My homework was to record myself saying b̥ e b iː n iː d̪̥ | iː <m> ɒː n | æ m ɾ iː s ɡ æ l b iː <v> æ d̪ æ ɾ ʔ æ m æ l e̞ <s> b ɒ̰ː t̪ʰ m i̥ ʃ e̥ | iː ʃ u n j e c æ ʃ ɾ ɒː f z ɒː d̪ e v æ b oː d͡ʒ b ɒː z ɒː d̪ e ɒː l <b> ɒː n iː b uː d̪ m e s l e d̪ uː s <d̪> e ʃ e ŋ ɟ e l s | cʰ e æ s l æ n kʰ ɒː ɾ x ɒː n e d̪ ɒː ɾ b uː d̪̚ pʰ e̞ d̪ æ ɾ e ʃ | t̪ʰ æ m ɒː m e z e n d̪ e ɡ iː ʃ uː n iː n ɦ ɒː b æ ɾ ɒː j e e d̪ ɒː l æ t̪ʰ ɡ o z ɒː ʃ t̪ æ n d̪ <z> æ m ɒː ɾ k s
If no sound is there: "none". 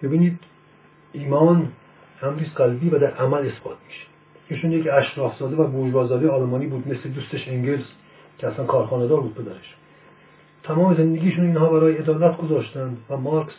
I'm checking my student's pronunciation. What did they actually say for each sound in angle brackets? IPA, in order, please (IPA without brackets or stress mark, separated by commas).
m, v, s, m, t̪, v